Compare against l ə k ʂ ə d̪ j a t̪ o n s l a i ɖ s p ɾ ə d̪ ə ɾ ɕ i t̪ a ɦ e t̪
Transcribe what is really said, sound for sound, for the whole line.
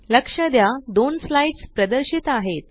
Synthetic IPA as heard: l ə k ʂ ə d̪ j a d̪ o n s l a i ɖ s p ɾ ə d̪ ə ɾ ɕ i t̪ a ɦ e t̪